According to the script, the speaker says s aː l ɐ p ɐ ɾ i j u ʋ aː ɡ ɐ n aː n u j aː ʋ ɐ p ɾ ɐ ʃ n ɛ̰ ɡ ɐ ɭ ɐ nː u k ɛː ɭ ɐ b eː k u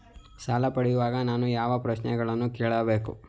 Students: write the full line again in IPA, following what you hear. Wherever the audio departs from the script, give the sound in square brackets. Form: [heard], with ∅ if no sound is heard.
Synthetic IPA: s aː l ɐ p ɐ [ɽ] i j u ʋ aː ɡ ɐ n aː n u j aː ʋ ɐ p ɾ ɐ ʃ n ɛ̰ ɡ ɐ ɭ ɐ nː u k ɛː ɭ ɐ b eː k u